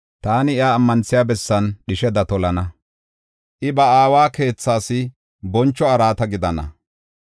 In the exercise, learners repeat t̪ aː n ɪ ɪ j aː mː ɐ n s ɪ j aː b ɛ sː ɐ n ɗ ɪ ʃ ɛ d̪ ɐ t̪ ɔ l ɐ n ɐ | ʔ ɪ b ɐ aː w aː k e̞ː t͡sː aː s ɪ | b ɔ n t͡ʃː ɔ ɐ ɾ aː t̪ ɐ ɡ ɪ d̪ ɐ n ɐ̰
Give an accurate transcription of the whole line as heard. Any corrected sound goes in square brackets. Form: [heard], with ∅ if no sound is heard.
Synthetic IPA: t̪ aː n ɪ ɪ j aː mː ɐ n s ɪ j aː b ɛ sː ɐ n ɗ ɪ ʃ ɛ d̪ ɐ t̪ ɔ l ɐ n ɐ | ʔ ɪ b ɐ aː w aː k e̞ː t͡sː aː s ɪ | b ɔ n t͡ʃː ɔ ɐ ɾ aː t̪ ɐ ɡ ɪ d̪ ɐ n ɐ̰